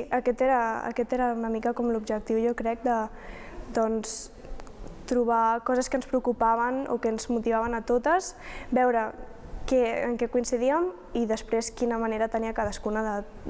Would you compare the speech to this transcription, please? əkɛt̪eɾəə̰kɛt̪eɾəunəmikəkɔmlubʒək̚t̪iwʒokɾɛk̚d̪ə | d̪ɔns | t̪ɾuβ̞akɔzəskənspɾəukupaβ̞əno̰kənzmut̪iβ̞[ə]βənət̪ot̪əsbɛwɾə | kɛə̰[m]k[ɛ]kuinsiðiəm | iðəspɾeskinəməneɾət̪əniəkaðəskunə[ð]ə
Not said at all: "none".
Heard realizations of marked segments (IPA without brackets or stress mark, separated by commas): a, ŋ, ɛ, ð